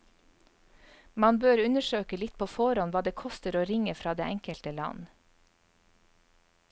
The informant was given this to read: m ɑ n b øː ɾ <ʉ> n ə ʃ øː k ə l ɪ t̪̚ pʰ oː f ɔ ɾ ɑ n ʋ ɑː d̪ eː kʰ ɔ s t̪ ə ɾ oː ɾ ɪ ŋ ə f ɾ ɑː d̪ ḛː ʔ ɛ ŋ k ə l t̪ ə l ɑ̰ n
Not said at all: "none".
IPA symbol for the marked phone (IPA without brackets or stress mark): ʉ